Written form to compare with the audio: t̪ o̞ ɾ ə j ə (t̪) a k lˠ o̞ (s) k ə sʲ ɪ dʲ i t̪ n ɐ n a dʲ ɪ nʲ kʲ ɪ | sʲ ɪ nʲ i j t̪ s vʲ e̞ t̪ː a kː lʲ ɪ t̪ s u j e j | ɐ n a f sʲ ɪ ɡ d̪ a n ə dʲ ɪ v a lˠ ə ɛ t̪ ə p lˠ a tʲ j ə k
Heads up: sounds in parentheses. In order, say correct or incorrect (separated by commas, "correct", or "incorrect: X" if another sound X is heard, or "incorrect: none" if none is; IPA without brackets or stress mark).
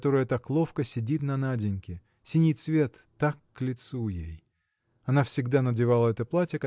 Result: correct, incorrect: f